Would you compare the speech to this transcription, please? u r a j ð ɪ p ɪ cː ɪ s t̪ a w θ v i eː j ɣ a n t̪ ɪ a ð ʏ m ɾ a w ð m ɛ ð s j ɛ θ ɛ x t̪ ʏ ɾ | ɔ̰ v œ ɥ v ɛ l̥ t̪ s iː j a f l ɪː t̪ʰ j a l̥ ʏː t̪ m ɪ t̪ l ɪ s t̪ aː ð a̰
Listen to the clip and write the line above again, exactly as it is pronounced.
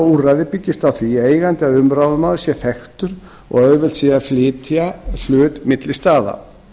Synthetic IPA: u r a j ð ɪ p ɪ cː ɪ s t̪ a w θ v i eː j ɣ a n t̪ ɪ a ð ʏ m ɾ a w ð m a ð s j ɛ θ ɛ x t̪ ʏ ɾ | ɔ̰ ɣ œ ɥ v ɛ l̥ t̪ s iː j a f l ɪː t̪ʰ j a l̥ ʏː t̪ m ɪ t̪ l ɪ s t̪ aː ð a̰